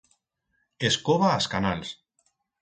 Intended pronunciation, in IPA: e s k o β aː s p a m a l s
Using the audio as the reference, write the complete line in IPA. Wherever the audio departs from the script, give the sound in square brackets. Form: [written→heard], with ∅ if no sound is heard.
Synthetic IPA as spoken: e s k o β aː s [p→k] a [m→n] a l s